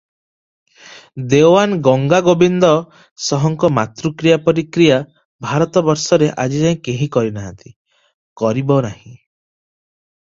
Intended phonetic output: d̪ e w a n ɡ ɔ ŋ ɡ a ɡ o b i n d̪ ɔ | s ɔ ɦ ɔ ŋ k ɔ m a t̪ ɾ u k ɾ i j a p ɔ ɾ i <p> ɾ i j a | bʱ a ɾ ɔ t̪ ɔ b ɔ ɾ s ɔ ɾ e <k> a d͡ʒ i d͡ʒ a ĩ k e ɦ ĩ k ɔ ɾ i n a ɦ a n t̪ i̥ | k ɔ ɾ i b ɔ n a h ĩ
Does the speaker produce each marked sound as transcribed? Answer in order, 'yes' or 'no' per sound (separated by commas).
no, no